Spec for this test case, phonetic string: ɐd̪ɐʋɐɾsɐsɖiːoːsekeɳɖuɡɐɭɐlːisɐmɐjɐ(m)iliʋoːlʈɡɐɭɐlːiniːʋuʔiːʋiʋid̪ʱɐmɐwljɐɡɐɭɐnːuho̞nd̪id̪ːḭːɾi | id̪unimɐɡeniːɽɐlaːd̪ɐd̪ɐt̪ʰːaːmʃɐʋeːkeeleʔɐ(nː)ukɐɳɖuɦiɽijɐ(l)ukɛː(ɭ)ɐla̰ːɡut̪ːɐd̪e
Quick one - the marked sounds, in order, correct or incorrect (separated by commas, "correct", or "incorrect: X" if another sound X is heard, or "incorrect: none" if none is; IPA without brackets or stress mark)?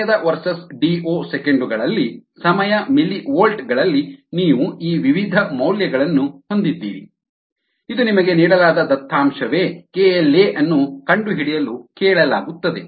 correct, correct, correct, correct